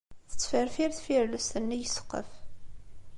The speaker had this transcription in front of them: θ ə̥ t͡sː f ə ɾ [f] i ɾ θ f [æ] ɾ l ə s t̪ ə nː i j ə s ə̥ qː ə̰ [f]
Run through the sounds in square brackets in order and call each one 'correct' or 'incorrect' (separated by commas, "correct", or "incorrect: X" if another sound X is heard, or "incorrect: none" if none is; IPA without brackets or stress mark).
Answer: correct, incorrect: i, correct